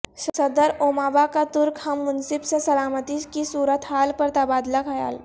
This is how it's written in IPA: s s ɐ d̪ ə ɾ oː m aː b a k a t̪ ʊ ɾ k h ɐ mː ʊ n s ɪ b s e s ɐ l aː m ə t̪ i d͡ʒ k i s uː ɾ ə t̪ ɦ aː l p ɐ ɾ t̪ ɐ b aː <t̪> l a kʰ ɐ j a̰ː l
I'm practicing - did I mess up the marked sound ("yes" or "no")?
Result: yes